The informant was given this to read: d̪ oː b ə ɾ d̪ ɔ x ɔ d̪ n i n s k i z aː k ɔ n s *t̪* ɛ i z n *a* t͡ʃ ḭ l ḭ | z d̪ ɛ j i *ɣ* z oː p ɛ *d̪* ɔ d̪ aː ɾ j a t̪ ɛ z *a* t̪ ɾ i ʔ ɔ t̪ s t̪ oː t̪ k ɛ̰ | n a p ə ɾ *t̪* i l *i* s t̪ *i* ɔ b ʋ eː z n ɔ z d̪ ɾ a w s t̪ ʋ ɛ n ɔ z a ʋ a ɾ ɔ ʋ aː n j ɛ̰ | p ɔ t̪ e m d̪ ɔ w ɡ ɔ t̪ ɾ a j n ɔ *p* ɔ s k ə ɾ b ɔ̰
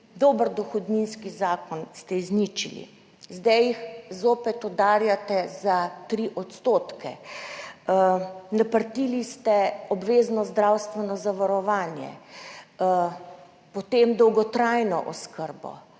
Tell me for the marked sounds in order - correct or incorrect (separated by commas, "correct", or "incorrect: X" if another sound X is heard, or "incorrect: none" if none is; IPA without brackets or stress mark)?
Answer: correct, incorrect: i, incorrect: x, incorrect: t̪, correct, correct, correct, incorrect: ɛ, incorrect: ʔ